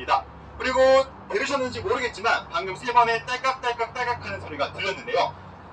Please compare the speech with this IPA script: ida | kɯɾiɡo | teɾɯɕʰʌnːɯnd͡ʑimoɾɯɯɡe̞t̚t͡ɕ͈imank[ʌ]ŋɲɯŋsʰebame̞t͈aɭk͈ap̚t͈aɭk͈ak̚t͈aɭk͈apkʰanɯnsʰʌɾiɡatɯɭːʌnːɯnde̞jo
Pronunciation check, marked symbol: incorrect: a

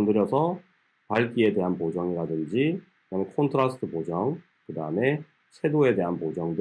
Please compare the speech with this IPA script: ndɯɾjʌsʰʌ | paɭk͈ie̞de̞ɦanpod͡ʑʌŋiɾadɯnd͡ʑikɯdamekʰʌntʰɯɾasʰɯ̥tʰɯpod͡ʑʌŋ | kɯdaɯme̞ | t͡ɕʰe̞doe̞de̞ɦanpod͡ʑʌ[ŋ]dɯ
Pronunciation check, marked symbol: correct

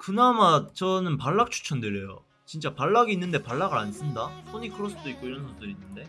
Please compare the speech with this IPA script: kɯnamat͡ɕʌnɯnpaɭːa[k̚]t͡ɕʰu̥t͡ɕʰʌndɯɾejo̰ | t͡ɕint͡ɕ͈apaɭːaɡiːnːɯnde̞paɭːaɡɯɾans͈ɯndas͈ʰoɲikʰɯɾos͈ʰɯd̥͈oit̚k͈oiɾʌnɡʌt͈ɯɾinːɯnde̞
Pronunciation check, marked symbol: correct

